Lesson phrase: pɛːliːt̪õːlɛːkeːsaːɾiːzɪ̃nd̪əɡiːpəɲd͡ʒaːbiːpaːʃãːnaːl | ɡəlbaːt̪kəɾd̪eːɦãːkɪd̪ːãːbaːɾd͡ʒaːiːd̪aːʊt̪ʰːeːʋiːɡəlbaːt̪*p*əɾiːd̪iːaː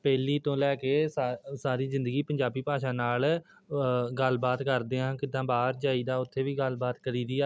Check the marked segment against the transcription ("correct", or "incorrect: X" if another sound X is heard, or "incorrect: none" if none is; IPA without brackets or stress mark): incorrect: k